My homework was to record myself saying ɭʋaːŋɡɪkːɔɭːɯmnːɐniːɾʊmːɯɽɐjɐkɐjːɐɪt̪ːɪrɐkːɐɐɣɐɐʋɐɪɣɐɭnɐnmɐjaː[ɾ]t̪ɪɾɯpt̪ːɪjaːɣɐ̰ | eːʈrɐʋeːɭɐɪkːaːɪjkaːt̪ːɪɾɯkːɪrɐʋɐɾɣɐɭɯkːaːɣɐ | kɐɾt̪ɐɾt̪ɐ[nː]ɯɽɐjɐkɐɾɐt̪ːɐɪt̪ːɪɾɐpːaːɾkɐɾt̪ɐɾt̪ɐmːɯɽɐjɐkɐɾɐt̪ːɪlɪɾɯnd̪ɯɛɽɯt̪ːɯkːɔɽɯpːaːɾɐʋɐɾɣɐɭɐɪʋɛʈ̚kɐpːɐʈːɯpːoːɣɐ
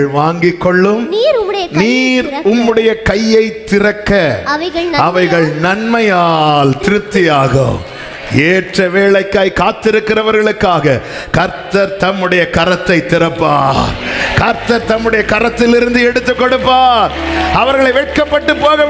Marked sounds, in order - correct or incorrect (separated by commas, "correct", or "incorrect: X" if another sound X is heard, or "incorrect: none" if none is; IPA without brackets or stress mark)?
incorrect: l, incorrect: mː